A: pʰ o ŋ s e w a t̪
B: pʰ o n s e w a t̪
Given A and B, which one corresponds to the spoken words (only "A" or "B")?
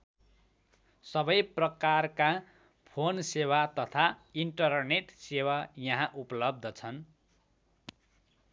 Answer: B